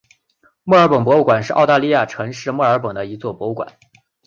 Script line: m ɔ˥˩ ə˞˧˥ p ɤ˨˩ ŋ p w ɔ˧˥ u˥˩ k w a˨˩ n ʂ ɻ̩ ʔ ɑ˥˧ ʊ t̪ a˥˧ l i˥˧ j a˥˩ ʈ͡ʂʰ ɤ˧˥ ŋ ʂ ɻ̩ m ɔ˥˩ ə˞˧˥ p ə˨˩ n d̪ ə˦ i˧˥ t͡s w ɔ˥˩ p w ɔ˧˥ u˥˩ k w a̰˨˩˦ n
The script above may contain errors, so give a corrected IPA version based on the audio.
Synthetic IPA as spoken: m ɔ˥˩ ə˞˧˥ p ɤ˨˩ ŋ p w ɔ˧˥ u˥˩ k w a˨˩ n ʂ ɻ̩ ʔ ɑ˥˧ ʊ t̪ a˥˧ l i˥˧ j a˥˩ ʈ͡ʂʰ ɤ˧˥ ŋ ʂ ɻ̩ m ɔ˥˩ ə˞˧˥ p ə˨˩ ŋ d̪ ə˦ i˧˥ t͡s w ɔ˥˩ p w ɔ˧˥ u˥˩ k w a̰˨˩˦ n

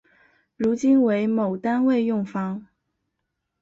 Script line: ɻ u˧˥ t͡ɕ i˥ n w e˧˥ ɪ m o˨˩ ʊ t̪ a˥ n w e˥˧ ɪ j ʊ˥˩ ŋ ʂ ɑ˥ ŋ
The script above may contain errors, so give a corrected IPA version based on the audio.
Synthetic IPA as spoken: ɻ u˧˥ t͡ɕ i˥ n w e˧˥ ɪ m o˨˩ ʊ t̪ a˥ n w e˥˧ ɪ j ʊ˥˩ ŋ f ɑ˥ ŋ

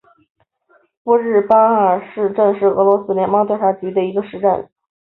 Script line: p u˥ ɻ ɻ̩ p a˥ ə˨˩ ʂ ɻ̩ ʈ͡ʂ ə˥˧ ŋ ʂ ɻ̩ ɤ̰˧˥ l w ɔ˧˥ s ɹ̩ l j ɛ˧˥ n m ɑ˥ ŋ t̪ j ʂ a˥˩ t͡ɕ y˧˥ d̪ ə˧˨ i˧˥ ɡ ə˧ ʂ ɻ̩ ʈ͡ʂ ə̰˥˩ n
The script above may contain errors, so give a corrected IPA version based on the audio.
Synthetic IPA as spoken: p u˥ ɻ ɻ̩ p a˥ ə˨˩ ʂ ɻ̩ ʈ͡ʂ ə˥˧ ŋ ʂ ɻ̩ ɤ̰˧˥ l w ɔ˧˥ s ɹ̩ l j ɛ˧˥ n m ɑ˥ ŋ t̪ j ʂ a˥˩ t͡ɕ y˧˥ d̪ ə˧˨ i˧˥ ɡ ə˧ ʂ ɻ̩ ʈ͡ʂ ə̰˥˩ n

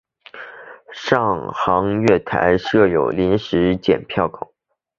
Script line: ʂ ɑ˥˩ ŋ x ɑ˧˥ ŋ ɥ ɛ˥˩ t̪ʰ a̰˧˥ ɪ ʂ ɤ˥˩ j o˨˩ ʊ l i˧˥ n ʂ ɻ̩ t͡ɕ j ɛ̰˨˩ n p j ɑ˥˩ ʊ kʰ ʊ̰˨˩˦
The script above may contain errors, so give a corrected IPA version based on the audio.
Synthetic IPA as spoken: ʂ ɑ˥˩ ŋ x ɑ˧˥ ŋ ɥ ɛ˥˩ t̪ʰ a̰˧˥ ɪ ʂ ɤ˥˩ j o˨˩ ʊ l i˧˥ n ʂ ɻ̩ t͡ɕ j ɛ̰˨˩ n pʰ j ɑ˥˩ ʊ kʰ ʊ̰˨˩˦

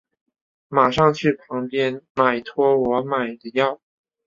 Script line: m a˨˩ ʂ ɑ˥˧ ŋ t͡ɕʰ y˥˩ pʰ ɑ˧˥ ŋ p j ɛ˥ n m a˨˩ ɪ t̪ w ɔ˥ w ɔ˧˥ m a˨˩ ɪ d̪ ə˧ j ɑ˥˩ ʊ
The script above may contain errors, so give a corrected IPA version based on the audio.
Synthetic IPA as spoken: m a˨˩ ʂ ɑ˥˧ ŋ t͡ɕʰ y˥˩ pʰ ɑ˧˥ ŋ p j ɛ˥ n m a˨˩ ɪ t̪ʰ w ɔ˥ w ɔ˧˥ m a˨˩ ɪ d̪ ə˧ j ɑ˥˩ ʊ

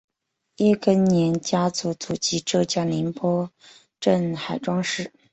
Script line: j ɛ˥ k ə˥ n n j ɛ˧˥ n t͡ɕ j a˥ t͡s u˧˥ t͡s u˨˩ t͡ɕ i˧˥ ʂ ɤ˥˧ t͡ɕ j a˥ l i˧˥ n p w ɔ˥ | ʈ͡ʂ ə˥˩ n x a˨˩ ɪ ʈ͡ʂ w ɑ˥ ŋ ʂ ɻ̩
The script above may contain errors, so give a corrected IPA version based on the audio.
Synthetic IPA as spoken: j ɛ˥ k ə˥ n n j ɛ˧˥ n t͡ɕ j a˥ t͡s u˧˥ t͡s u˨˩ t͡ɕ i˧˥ ʈ͡ʂ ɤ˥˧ t͡ɕ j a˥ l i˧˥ n p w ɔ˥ | ʈ͡ʂ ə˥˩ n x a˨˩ ɪ ʈ͡ʂ w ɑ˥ ŋ ʂ ɻ̩

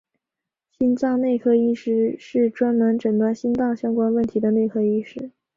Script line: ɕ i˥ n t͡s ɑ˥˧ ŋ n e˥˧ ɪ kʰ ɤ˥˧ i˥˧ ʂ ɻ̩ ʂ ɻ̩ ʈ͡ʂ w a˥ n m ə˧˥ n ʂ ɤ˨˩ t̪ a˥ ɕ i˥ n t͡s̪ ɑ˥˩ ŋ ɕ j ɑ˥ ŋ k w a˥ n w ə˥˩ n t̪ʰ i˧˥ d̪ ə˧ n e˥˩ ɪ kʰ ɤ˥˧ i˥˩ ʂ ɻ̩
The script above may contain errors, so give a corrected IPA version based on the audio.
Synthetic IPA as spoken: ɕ i˥ n t͡s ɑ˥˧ ŋ n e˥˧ ɪ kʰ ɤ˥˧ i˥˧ ʂ ɻ̩ ʂ ɻ̩ ʈ͡ʂ w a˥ n m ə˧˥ n ʈ͡ʂ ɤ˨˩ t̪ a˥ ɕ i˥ n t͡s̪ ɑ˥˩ ŋ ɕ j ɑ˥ ŋ k w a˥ n w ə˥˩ n t̪ʰ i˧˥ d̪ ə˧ n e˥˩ ɪ kʰ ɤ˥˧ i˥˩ ʂ ɻ̩

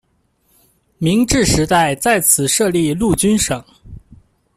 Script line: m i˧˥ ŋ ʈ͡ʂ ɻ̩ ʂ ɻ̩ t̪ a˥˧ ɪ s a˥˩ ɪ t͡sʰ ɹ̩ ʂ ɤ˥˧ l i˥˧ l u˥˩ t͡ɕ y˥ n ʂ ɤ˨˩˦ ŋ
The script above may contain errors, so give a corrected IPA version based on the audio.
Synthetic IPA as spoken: m i˧˥ ŋ ʈ͡ʂ ɻ̩ ʂ ɻ̩ t̪ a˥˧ ɪ t͡s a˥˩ ɪ t͡sʰ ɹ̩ ʂ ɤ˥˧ l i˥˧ l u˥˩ t͡ɕ y˥ n ʂ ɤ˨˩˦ ŋ

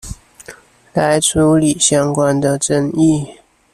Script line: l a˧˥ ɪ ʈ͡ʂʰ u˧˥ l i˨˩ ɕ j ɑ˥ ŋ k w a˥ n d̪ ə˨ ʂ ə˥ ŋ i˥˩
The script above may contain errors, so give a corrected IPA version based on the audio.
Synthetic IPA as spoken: l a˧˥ ɪ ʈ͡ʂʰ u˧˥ l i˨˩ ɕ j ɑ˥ ŋ k w a˥ n d̪ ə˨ ʈ͡ʂ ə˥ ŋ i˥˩

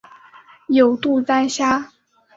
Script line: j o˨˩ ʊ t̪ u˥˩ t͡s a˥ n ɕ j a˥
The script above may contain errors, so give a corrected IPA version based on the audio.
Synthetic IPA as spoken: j o˨˩ ʊ t̪ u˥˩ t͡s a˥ n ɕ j a˥

